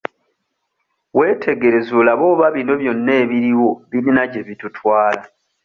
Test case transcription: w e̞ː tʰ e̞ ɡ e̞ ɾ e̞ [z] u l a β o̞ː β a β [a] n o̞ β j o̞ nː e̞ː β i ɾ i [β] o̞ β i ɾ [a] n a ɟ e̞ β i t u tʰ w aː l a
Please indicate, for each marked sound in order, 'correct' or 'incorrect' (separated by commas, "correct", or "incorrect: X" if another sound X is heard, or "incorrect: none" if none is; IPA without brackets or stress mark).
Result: correct, incorrect: i, incorrect: w, incorrect: i